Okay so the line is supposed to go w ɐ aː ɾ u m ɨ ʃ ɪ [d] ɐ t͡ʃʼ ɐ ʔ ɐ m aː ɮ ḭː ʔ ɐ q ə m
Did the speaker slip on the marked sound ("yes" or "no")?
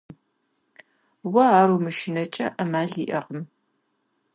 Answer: yes